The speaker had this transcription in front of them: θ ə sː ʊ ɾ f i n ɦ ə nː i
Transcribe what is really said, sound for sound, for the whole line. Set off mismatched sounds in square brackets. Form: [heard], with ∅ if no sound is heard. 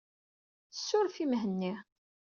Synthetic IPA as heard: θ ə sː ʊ ɾ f i [m] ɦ ə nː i